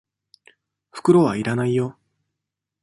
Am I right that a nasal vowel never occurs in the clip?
yes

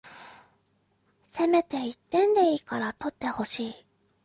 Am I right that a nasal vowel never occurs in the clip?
no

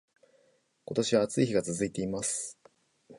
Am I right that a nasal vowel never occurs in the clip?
yes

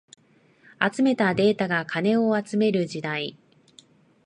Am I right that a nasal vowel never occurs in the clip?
yes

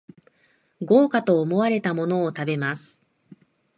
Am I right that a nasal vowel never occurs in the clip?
yes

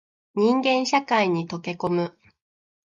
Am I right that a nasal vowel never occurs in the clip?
no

